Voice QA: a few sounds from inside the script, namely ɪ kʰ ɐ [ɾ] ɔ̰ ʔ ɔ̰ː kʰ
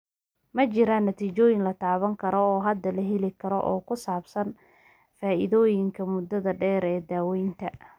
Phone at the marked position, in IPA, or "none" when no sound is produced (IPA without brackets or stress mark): ɾ